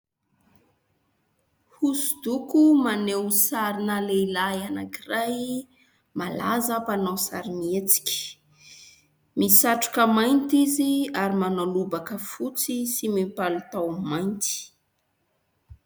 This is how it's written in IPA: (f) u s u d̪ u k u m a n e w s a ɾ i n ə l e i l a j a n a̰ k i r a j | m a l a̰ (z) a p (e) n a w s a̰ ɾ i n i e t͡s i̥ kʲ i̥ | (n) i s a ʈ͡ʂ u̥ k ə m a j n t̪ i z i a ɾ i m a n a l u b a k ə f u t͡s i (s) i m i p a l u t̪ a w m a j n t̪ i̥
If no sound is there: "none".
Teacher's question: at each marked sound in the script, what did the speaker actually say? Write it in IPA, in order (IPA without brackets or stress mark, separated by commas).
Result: h, z, a, m, s